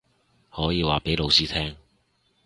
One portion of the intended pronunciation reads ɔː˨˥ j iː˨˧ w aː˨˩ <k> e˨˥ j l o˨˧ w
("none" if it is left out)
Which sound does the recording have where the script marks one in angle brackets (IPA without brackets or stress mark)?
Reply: p